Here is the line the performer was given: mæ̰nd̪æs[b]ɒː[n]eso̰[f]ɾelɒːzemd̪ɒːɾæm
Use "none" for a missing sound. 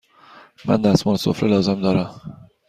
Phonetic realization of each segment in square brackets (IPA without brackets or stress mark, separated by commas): m, n, f